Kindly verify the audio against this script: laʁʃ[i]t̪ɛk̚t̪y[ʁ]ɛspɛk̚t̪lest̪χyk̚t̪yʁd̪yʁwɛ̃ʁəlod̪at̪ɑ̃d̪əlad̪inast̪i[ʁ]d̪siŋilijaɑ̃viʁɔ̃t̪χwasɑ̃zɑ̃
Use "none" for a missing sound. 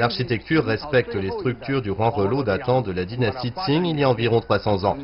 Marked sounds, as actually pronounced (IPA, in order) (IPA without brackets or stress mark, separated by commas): i, ʁː, none